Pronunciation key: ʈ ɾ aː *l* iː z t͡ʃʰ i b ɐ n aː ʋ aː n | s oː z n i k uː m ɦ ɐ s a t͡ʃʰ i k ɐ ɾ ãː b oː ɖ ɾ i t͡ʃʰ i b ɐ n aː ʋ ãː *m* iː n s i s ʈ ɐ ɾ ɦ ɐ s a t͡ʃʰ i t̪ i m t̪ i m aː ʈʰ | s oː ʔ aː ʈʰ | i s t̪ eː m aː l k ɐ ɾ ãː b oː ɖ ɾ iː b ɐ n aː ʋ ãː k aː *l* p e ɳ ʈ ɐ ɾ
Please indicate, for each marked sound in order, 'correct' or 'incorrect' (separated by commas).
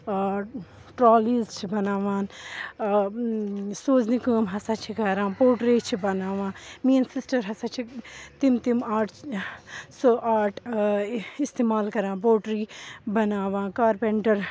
correct, correct, incorrect